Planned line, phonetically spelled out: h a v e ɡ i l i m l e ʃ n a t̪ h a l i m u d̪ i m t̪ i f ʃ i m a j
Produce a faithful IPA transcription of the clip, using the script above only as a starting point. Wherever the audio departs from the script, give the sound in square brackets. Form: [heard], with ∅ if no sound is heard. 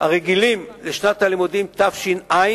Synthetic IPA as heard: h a [ʁ] e ɡ i l i m l e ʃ n a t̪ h a l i m u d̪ i m t̪ [a] f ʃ i [n] a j